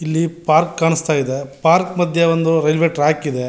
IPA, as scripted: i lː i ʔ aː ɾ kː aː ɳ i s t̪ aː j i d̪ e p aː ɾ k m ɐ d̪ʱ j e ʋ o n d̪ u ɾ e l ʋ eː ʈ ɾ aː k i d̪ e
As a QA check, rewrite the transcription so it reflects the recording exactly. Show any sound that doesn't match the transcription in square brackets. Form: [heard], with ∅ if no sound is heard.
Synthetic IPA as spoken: i lː i [p] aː ɾ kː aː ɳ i s t̪ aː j i d̪ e p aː ɾ k m ɐ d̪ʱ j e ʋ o n d̪ u ɾ e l ʋ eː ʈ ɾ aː k i d̪ e